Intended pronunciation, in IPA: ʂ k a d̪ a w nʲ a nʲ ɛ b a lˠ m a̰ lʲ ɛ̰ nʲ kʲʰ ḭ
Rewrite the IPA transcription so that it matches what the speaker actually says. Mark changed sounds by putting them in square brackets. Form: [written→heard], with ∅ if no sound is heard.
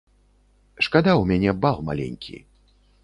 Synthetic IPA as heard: ʂ k a d̪ a w [nʲ→mʲ] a nʲ ɛ b a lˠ m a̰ lʲ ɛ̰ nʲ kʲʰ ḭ